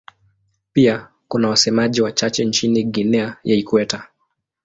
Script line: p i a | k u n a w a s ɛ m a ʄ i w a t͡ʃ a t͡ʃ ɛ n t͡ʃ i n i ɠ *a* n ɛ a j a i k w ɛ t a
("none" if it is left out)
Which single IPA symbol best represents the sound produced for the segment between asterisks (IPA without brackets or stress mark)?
i